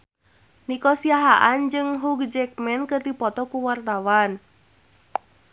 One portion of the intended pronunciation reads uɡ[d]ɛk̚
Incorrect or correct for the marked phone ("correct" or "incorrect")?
incorrect